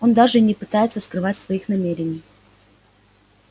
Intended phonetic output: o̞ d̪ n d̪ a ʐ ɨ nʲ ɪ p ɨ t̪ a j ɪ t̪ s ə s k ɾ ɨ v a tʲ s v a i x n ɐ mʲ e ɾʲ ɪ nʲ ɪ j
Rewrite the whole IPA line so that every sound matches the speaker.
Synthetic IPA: o̞ n d̪ a ʐ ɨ nʲ ɪ p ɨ t̪ a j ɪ t̪ s ə s k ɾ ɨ v a tʲ s v ɐ i x n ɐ mʲ e ɾʲ ɪ nʲ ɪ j

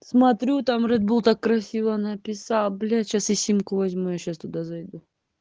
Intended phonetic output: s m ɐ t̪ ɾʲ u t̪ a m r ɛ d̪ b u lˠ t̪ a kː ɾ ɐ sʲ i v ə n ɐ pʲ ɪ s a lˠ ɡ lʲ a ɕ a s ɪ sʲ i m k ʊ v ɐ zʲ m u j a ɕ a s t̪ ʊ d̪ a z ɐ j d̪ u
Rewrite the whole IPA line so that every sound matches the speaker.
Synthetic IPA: s m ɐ t̪ ɾʲ u t̪ a m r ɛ d̪ b u lˠ t̪ a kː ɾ ɐ sʲ i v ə n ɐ pʲ ɪ s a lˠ b lʲ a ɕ a s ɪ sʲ i m k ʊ v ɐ zʲ m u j a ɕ a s t̪ ʊ d̪ a z ɐ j d̪ u

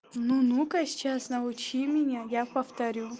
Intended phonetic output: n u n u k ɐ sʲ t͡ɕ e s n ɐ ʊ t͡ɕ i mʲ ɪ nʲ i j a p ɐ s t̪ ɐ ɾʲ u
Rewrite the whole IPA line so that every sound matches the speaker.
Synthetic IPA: n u n u k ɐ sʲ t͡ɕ a s n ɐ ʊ t͡ɕ i mʲ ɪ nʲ a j a p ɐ f t̪ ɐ ɾʲ u

